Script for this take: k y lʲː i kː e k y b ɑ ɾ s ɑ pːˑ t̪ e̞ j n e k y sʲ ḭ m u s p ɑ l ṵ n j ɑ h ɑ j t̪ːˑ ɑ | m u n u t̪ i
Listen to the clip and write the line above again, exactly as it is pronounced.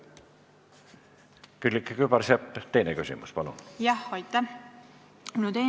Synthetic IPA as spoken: k y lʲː i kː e k y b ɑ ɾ s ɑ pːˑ t̪ e̞ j n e k y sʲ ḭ m u s p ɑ l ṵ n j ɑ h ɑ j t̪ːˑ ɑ | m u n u t̪ e